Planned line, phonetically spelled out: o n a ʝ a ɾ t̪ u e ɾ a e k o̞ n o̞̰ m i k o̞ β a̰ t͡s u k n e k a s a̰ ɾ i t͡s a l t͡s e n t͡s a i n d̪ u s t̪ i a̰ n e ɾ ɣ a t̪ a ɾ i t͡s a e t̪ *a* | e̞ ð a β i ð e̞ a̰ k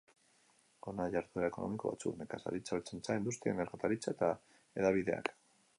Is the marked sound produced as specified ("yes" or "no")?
yes